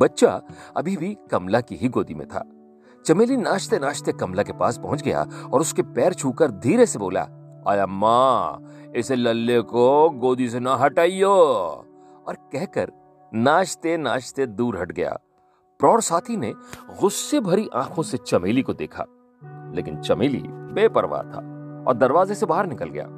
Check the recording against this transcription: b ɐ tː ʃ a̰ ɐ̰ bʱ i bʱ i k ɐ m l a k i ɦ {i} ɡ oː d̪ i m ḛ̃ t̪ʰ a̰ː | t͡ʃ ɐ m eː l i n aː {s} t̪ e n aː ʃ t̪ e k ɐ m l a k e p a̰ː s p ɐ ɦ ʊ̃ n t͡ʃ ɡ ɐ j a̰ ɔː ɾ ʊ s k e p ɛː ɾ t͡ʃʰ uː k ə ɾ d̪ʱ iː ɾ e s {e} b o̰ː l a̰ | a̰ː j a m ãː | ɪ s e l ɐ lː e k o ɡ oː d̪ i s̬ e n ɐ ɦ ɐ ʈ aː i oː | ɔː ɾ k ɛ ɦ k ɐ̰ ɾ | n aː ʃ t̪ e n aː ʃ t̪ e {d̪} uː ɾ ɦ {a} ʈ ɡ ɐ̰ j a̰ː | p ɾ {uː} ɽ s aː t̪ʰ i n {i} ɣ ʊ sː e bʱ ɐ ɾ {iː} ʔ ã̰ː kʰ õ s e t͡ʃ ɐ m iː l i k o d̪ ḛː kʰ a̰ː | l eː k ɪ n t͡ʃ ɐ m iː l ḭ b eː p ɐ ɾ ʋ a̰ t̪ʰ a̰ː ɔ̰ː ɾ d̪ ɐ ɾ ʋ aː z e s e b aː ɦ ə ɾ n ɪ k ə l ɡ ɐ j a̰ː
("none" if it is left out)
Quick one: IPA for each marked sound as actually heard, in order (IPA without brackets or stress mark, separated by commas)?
i, ʃ, e, d̪, ɐ, ɔː, e, i